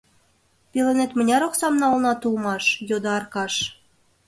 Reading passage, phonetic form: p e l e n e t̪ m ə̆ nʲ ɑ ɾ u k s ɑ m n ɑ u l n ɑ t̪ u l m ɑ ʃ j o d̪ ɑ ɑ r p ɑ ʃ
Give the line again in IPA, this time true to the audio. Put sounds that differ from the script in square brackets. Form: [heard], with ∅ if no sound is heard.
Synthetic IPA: p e l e n e t̪ m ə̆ nʲ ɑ ɾ [o] k s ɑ m n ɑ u l n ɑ t̪ u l m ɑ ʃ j o d̪ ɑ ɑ r [k] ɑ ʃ